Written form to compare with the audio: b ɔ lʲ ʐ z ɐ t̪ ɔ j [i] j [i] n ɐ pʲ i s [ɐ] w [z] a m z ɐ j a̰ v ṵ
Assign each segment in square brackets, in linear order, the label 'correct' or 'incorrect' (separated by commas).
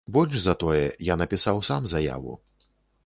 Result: incorrect, incorrect, incorrect, incorrect